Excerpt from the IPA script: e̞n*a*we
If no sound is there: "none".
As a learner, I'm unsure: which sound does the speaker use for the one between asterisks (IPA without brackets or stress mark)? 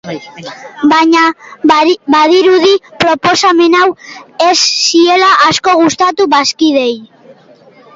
a